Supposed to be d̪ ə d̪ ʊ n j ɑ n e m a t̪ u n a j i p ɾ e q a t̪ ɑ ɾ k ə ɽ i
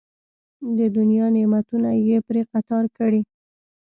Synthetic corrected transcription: d̪ ə d̪ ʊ n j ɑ n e m a t̪ u n a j e p ɾ e q a t̪ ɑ ɾ k ə ɽ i

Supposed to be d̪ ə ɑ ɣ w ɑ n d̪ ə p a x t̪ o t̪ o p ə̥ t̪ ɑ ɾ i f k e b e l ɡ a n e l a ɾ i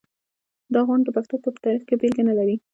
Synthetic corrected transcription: d̪ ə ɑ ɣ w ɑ n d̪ ə p a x t̪ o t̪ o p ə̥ t̪ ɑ ɾ i x k e b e l ɡ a n a l a ɾ i

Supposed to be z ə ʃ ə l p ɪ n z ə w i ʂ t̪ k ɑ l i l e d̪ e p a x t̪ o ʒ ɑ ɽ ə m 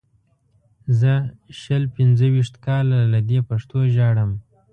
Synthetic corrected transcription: z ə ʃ ə l p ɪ n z ə w i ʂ t̪ k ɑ l a l a d̪ e p a ʂ t̪ o ʒ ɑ ɽ ə m

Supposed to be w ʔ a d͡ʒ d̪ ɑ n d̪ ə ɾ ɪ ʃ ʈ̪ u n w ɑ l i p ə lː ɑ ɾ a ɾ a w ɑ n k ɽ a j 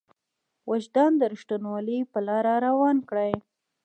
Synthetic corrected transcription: w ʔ a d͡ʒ d̪ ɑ n d̪ ə ɾ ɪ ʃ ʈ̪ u n w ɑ l i p ə l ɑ ɾ a ɾ a w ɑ n k ɽ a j

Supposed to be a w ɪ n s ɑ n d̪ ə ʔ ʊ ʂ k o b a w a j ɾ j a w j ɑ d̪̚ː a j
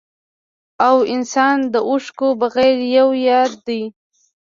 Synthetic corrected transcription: a w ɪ n s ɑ n d̪ ə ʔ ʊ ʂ k o b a ɣ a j ɾ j a w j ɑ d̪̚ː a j

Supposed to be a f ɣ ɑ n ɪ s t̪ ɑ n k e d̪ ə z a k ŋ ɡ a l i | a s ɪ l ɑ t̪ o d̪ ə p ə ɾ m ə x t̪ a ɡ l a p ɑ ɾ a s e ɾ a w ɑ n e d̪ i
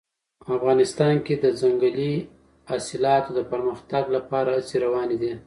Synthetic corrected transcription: a f ɣ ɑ n ɪ s t̪ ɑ n k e d̪ ə z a ŋ ɡ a l i | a s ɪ l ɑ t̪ o d̪ ə p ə ɾ m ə x t̪ a ɡ l a p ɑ ɾ a s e ɾ a w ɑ n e d̪ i

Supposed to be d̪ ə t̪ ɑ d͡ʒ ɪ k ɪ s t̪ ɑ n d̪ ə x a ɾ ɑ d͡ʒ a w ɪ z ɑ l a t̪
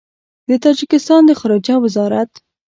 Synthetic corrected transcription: d̪ ə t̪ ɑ d͡ʒ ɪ k ɪ s t̪ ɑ n d̪ ə x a ɾ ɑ d͡ʒ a w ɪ z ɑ ɾ a t̪

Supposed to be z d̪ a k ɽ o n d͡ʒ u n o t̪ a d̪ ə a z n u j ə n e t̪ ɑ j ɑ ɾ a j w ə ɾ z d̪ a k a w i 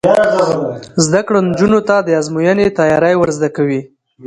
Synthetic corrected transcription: z d̪ a k ɽ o n d͡ʒ u n o t̪ a d̪ ə a z m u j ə n e t̪ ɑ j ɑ ɾ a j w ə ɾ z d̪ a k a w i

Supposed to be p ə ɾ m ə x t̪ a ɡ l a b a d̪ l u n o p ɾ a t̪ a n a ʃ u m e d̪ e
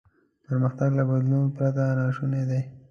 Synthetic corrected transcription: p ə ɾ m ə x t̪ a ɡ l a b a d̪ l u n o p ɾ a t̪ a n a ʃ u n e d̪ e

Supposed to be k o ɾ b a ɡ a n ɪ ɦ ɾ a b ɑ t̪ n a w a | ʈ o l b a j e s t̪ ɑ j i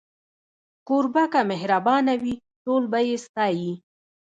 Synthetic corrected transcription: k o ɾ b a k a m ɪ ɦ ɾ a b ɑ n a w i | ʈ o l b a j e s t̪ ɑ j i

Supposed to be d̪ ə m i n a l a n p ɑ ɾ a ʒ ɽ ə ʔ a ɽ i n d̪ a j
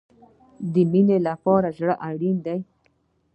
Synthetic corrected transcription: d̪ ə m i n e l a p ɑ ɾ a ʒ ɽ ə ʔ a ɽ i n d̪ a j

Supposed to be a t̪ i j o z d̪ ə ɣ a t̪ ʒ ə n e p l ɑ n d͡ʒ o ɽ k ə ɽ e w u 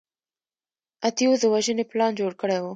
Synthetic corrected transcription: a t̪ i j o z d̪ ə w a ʒ ə n e p l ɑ n d͡ʒ o ɽ k ə ɽ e w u

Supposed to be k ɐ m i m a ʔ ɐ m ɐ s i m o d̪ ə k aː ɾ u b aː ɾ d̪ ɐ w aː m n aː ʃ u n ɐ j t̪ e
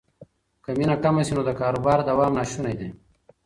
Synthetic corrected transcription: k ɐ m i n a k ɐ m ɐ s i n o d̪ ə k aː ɾ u b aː ɾ d̪ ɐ w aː m n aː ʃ u n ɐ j d̪ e

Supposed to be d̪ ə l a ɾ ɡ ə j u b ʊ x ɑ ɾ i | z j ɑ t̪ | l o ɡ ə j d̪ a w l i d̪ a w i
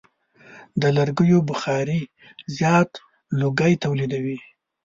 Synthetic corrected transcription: d̪ ə l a ɾ ɡ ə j o b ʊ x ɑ ɾ i | z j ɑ t̪ | l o ɡ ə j t̪ a w l i d̪ a w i

